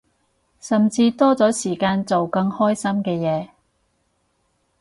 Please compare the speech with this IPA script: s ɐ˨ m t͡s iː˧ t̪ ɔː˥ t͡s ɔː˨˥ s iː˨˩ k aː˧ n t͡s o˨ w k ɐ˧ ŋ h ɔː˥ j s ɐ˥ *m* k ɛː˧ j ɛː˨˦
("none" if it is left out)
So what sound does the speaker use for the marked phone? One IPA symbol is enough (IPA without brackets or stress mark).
m